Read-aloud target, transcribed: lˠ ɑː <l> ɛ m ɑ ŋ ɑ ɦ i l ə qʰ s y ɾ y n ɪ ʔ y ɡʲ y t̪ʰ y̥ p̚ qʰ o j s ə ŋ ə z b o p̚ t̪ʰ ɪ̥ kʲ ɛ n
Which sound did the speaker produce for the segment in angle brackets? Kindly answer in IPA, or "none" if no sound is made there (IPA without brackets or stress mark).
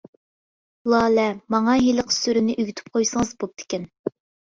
l